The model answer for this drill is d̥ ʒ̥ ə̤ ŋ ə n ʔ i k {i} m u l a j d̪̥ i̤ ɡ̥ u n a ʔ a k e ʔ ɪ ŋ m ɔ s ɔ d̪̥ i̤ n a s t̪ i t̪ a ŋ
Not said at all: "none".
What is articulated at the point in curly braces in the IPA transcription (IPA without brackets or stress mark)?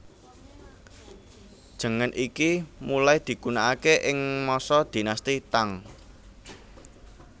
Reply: i